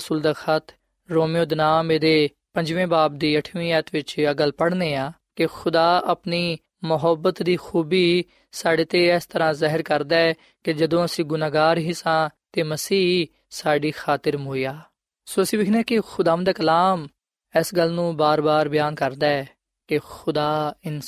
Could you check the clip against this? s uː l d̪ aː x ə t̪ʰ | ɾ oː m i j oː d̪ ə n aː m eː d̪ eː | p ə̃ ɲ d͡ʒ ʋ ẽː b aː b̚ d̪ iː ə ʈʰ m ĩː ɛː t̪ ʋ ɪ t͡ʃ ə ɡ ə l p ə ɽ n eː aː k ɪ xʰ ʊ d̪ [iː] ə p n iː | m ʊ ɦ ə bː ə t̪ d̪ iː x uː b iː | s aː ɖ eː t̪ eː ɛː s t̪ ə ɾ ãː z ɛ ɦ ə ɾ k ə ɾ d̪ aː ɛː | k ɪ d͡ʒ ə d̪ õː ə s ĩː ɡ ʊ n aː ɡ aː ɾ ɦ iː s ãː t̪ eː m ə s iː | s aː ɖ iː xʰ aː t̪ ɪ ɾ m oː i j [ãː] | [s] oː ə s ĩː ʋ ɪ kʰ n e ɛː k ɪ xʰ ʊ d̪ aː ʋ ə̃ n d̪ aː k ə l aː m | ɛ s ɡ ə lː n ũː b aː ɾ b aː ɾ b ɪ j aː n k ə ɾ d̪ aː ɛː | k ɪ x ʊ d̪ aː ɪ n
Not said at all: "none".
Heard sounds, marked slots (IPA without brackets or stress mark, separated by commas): aː, aː, s